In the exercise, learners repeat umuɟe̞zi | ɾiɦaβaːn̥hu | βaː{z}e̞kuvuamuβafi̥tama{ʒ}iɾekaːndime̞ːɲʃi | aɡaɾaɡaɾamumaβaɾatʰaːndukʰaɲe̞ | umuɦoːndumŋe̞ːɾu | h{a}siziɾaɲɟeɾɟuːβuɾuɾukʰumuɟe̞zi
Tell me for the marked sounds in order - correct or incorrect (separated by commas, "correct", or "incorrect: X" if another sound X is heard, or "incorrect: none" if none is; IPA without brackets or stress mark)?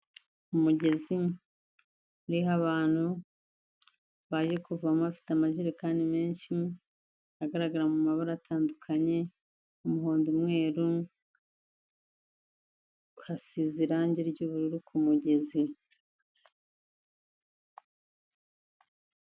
incorrect: ʒ, correct, correct